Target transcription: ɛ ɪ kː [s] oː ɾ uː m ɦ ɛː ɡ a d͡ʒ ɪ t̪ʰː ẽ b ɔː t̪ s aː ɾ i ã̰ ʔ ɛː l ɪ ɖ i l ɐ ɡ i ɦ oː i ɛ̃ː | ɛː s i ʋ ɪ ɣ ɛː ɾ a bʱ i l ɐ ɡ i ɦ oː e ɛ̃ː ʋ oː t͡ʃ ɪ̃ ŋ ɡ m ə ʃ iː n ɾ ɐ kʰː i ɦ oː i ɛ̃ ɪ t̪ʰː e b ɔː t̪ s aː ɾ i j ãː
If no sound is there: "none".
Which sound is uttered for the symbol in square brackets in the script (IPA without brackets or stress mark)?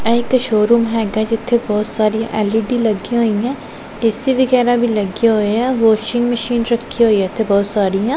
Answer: ʃ